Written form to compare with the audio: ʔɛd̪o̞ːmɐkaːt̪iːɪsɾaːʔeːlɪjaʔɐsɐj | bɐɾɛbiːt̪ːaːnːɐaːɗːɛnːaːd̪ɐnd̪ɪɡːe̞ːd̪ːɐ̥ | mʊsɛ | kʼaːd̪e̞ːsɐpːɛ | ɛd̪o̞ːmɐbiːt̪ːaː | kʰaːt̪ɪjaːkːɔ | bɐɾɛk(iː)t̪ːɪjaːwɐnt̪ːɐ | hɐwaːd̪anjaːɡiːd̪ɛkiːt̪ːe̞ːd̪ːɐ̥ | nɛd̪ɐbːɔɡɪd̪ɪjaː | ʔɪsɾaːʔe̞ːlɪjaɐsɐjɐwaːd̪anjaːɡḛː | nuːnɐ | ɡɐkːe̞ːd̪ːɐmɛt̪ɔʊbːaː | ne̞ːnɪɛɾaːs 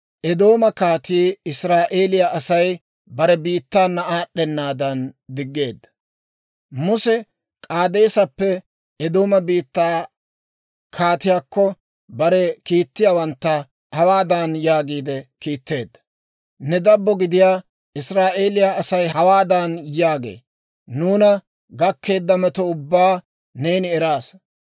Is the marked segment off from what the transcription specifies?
no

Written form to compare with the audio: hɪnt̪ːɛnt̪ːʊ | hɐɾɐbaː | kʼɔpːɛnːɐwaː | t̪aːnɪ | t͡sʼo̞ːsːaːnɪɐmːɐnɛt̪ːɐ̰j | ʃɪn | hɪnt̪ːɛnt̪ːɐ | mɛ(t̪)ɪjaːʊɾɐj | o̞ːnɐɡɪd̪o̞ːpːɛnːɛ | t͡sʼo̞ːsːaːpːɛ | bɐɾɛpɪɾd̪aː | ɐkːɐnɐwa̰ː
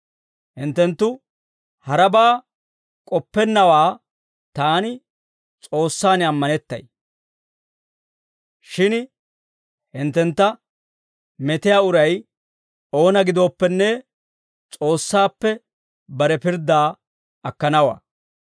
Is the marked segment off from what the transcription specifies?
no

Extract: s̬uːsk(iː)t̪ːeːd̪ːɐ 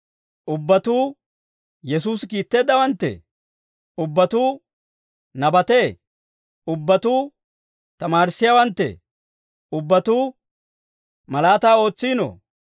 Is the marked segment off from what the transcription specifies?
no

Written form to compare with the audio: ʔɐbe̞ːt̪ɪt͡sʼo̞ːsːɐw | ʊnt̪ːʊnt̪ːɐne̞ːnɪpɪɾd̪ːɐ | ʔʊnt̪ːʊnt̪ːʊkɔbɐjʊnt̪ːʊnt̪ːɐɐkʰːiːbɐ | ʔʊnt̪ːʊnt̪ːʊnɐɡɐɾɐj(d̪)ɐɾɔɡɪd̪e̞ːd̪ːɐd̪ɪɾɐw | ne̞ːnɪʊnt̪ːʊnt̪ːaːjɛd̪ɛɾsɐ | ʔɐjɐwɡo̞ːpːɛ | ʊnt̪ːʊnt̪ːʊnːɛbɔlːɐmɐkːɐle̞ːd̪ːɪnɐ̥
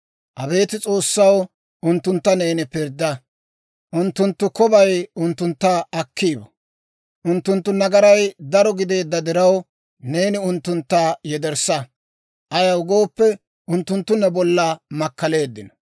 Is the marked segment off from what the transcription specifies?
no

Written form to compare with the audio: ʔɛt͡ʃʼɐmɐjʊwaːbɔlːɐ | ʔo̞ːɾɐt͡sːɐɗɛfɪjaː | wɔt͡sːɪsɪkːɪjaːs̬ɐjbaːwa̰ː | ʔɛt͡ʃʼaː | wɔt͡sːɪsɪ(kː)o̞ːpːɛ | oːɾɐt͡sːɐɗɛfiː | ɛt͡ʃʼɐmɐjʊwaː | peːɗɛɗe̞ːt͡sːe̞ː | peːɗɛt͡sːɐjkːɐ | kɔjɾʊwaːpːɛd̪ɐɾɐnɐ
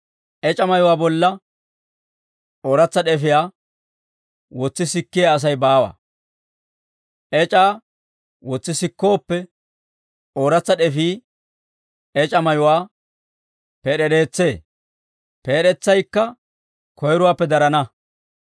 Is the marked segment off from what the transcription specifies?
no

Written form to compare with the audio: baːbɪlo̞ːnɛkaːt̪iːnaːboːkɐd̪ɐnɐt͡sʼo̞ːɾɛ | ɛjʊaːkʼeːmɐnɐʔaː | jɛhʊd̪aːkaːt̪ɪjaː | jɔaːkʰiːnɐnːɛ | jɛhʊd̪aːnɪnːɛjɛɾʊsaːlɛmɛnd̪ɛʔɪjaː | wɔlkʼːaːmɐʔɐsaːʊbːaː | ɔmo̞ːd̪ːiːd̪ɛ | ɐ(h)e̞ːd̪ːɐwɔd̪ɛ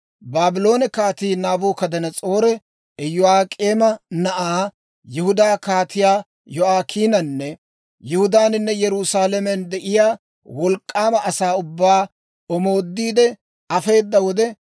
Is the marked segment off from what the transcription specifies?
yes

